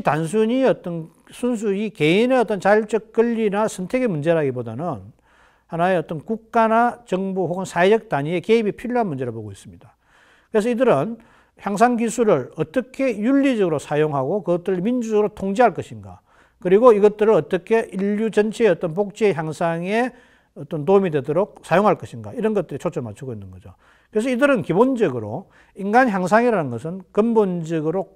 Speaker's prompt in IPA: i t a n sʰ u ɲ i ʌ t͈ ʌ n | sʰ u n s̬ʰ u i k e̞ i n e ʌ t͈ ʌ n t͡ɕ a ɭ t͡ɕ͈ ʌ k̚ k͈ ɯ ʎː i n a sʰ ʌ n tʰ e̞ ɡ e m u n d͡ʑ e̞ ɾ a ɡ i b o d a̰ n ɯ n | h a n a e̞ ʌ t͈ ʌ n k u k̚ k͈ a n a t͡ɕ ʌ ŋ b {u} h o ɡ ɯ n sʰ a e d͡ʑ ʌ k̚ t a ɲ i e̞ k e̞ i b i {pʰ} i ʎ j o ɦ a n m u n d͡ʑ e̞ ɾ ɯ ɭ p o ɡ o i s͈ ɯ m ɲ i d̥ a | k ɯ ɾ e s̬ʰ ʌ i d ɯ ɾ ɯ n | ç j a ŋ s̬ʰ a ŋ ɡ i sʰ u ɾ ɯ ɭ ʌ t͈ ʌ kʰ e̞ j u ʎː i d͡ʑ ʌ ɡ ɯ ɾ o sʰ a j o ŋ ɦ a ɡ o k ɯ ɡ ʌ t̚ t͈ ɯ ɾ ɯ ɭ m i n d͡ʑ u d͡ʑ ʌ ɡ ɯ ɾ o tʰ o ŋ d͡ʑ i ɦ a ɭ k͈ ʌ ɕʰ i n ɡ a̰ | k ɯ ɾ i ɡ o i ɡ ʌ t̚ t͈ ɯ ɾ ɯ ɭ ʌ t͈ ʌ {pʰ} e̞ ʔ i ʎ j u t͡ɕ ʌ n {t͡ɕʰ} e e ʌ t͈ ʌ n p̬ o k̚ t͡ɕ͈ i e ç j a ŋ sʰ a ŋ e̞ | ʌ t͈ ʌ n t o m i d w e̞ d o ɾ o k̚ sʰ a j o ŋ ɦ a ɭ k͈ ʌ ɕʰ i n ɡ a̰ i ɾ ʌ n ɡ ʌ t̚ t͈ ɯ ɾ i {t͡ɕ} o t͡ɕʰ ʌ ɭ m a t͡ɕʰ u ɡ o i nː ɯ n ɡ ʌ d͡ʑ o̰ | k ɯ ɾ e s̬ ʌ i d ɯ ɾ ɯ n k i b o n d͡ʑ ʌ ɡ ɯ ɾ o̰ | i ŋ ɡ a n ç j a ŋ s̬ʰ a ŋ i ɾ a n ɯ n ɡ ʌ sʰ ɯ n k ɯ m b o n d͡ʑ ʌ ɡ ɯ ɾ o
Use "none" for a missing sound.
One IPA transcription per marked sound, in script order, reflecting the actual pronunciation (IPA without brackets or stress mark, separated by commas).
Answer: u, pʰ, kʰ, t͡ɕʰ, t͡ɕʰ